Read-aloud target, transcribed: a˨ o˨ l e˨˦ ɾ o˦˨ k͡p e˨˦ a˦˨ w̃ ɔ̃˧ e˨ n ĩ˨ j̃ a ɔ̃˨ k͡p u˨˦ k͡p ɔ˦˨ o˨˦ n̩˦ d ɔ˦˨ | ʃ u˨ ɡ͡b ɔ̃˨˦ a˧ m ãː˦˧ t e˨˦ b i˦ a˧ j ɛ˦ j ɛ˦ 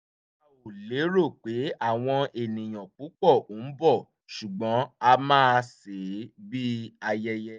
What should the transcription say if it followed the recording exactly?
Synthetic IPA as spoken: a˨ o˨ l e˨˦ ɾ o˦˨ k͡p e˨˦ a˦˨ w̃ ɔ̃˧ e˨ n ĩ˨ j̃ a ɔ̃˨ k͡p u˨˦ k͡p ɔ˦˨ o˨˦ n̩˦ b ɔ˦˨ | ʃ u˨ ɡ͡b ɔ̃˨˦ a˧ m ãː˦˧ s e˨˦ b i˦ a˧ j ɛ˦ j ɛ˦

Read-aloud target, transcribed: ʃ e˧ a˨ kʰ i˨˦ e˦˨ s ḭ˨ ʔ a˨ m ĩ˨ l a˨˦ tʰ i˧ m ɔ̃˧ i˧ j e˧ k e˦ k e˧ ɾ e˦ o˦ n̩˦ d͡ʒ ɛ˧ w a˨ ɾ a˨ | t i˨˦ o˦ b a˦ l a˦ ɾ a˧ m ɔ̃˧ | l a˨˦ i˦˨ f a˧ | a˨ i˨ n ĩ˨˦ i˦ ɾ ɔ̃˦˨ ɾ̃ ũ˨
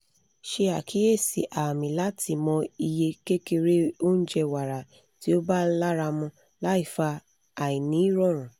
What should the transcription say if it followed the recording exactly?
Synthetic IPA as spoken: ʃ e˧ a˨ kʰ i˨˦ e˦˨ s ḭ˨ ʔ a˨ m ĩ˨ l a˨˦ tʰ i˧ m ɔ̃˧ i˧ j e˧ k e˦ k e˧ ɾ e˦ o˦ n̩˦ d͡ʒ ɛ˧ w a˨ ɾ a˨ | t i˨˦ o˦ b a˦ l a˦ ɾ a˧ m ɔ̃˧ | l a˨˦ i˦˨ f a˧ | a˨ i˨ n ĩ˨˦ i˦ ɾ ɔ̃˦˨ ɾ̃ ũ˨

